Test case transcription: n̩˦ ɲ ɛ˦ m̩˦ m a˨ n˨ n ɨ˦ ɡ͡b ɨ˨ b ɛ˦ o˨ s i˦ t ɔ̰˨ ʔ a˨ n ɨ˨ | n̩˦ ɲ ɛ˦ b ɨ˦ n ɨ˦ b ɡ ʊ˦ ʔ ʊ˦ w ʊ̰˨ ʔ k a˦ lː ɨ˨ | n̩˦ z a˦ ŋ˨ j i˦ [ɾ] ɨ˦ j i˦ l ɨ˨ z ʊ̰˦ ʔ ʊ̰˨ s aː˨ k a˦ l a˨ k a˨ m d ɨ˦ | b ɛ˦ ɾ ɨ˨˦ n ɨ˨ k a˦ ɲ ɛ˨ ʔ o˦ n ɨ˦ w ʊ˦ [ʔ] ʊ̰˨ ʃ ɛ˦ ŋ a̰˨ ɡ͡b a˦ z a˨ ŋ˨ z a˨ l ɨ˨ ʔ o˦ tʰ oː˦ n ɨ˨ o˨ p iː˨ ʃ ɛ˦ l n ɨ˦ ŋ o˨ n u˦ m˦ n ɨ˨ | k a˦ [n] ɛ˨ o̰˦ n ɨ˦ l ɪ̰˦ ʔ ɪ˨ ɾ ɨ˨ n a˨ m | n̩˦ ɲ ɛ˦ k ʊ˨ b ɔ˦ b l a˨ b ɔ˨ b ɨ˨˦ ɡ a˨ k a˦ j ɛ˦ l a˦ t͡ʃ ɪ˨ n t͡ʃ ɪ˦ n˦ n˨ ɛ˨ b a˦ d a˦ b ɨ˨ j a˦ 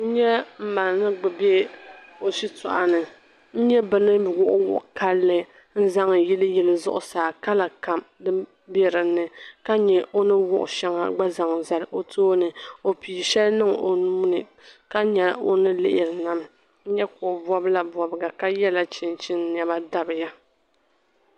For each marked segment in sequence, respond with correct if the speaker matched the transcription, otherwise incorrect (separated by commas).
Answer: incorrect, correct, incorrect